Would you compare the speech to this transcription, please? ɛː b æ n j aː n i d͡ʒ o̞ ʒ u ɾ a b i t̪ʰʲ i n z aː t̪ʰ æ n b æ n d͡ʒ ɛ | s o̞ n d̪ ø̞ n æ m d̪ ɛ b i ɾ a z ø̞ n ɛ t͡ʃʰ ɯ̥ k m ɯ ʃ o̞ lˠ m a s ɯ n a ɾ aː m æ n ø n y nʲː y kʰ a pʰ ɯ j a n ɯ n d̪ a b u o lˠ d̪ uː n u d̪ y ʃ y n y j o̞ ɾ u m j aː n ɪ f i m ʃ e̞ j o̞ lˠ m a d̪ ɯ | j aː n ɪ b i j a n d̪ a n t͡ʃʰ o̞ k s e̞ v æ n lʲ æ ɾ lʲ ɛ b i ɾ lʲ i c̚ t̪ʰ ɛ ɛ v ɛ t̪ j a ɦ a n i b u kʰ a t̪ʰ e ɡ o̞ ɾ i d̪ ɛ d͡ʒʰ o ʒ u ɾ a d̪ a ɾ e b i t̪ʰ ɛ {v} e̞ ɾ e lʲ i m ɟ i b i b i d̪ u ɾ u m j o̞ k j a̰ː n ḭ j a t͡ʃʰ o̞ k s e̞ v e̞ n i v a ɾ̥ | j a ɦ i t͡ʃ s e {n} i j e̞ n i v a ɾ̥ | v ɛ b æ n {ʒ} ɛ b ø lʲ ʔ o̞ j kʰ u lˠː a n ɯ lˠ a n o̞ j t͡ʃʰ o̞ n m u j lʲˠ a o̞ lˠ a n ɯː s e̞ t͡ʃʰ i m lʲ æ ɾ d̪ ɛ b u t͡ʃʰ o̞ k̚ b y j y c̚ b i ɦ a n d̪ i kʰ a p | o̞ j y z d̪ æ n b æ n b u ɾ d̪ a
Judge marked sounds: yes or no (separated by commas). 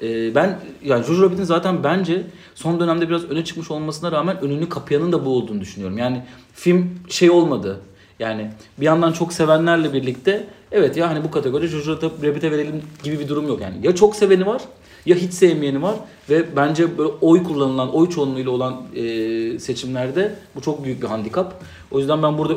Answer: yes, no, no